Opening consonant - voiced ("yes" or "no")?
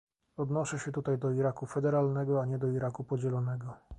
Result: yes